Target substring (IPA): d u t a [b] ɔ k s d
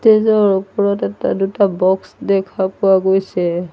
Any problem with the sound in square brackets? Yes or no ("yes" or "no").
no